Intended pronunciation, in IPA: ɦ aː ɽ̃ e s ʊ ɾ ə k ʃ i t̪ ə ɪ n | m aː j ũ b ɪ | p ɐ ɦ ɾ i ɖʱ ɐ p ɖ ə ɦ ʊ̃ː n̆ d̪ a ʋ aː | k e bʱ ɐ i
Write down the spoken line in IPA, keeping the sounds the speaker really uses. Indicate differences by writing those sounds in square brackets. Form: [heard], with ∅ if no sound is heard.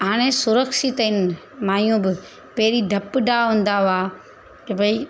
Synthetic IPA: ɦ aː ɽ̃ e s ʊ ɾ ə k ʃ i t̪ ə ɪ n | m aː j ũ b ɪ | p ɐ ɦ ɾ i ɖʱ ɐ p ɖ [a] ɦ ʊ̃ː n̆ d̪ a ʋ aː | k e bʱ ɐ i